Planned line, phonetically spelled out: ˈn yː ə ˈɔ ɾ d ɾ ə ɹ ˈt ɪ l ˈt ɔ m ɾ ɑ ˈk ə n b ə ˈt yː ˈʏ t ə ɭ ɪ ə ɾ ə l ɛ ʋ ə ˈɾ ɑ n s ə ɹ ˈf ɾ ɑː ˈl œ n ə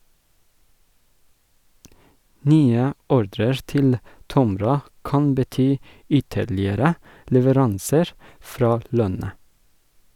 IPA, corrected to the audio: ˈn yː ə ˈɔ ɾ d ɾ ə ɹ ˈt ɪ l ˈt ɔ m ɾ ɑ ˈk ɑ n b ə ˈt yː ˈʏ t ə ɭ ɪ ə ɾ ə l ɛ ʋ ə ˈɾ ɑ n s ə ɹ ˈf ɾ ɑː ˈl œ n ə

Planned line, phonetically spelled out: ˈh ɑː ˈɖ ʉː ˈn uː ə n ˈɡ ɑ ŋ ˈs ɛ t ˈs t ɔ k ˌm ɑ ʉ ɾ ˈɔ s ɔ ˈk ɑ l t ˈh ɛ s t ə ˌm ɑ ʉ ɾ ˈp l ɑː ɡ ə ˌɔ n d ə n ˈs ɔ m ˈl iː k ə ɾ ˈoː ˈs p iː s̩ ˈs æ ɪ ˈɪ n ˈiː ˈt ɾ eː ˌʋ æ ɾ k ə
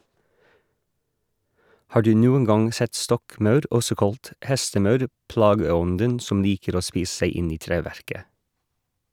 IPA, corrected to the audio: ˈh ɑː ˈɖ ʉː ˈn uː ə n ˈɡ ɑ ŋ ˈs ɛ t ˈs t ɔ k ˌm ɑ ʉ ɾ ˈɔ s ɔ ˈk ɑ l t ˈh ɛ s t ə ˌm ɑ ʉ ɾ ˈp l ɑː ɡ ə ˌɔ n d ə n ˈs ɔ m ˈl iː k ə ɾ ˈoː ˈs p iː s̩ ˈs æ ɪ ˈɪ n ˈiː ˈt ɾ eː ˌʋ æ ɾ k ə

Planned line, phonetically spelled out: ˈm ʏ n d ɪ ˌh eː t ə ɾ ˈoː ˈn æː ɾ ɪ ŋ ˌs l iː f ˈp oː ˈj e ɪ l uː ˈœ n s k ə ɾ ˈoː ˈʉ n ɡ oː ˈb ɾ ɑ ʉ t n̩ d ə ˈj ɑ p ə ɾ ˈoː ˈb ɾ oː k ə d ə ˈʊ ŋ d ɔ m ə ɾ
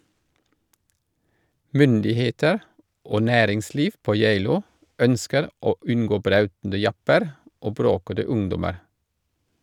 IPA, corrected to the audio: ˈm ʏ n d ɪ ˌh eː t ə ɾ ˈoː ˈn æː ɾ ɪ ŋ ˌs l iː f ˈp oː ˈj e ɪ l uː ˈœ n s k ə ɾ ˈoː ˈʉ n ɡ oː ˈb ɾ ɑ ʉ t n̩ d ə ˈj ɑ p ə ɾ ˈoː ˈb ɾ oː k ə d ə ˈʊ ŋ d ɔ m ə ɾ

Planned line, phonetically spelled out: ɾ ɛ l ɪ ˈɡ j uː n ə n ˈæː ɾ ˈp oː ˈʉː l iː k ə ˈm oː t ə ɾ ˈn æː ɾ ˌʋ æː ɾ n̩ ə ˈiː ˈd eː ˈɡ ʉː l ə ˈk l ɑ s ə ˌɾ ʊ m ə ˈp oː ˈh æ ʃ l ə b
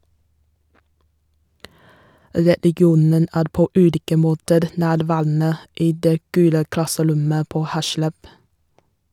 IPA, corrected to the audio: ɾ ɛ l ɪ ˈɡ j uː n ə n ˈæː ɾ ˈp oː ˈʉː l iː k ə ˈm oː t ə ɾ ˈn æː ɾ ˌʋ æː ɾ n̩ ə ˈiː ˈd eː ˈɡ ʉː l ə ˈk l ɑ s ə ˌɾ ʊ m ə ˈp oː ˈh æ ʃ l ə b

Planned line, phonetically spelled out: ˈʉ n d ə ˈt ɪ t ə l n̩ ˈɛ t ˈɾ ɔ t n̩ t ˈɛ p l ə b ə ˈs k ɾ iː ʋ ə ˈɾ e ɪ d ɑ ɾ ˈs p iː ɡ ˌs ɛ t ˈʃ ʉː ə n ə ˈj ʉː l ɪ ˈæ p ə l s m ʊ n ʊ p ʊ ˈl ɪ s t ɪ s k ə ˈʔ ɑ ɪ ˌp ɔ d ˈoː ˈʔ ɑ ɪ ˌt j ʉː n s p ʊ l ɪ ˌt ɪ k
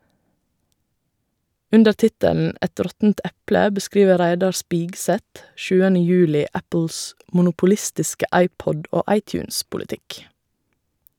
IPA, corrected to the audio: ˈʉ n d ə ˈt ɪ t ə l n̩ ˈɛ t ˈɾ ɔ t n̩ t ˈɛ p l ə b ə ˈs k ɾ iː ʋ ə ˈɾ æ ɪ d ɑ ɾ ˈs p iː ɡ ˌs ɛ t ˈʃ ʉː ə n ə ˈj ʉː l ɪ ˈæ p ə l s m ʊ n ʊ p ʊ ˈl ɪ s t ɪ s k ə ˈʔ ɑ ɪ ˌp ɔ d ˈoː ˈʔ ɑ ɪ ˌt j ʉː n s p ʊ l ɪ ˌt ɪ k

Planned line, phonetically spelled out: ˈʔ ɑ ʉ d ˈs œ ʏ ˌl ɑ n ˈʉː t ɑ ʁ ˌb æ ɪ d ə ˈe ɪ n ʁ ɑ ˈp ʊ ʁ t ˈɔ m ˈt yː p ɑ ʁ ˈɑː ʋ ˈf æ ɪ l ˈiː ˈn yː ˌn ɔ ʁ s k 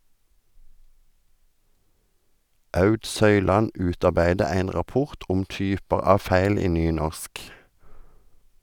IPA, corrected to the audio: ˈʔ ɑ ʉ d ˈs œ ʏ ˌl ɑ n ˈʉː t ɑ ʁ ˌb æ ɪ d ə ˈe ɪ n ʁ ɑ ˈp ʊ ʁ t ˈɔ m ˈt yː p ɑ ʁ ˈɑː ʋ ˈf æ ɪ l ˈiː ˈn yː ˌn ɔ ʁ s k

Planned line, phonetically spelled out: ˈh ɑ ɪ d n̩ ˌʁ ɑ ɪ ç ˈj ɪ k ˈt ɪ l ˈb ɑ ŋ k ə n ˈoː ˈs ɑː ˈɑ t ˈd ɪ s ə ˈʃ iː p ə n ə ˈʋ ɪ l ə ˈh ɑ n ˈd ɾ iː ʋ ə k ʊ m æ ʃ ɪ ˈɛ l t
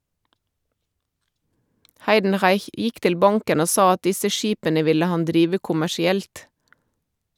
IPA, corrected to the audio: ˈh ɑ ɪ d n̩ ˌʁ ɑ ɪ ç ˈj ɪ k ˈt ɪ l ˈb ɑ ŋ k ə n ˈoː ˈs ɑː ˈɑ t ˈd ɪ s ə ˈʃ iː p ə n ə ˈʋ ɪ l ə ˈh ɑ n ˈd ɾ iː ʋ ə k ʊ m æ ʃ ɪ ˈɛ l t

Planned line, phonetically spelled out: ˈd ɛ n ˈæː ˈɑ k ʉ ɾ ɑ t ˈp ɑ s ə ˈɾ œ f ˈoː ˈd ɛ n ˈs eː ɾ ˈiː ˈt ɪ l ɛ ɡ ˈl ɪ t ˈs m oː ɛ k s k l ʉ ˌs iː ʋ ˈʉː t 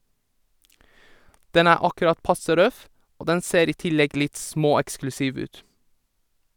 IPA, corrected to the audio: ˈd ɛ n ˈæː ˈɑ k ʉ ɾ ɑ t ˈp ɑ s ə ˈɾ œ f ˈoː ˈd ɛ n ˈs eː ɾ ˈiː ˈt ɪ l ɛ ɡ ˈl ɪ t ˈs m oː ɛ k s k l ʉ ˌs iː ʋ ˈʉː t

